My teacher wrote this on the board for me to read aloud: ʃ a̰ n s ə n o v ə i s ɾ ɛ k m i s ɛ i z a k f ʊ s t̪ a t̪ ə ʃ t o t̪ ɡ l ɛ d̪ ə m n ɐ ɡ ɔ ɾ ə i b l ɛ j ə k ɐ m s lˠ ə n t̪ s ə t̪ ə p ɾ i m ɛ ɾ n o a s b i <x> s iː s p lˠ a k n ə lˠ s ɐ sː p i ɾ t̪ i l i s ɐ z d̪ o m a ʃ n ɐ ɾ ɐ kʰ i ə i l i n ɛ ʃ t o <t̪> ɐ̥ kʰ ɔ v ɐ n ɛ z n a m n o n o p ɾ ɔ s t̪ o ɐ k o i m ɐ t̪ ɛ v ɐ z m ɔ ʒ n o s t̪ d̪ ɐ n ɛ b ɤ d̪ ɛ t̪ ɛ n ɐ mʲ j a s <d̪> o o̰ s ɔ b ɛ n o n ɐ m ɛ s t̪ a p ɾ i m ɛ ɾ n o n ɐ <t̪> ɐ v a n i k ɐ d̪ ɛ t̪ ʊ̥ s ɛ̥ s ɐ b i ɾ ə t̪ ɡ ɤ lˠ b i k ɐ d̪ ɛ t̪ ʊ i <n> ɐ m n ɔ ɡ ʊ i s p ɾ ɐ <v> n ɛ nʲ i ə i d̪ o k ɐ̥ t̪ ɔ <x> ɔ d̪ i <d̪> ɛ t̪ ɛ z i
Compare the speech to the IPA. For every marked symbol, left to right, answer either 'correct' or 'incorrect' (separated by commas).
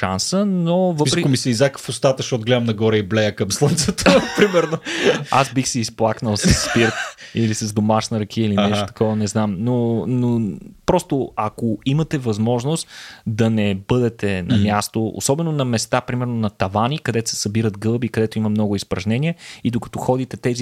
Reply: correct, correct, incorrect, correct, incorrect, incorrect, correct, incorrect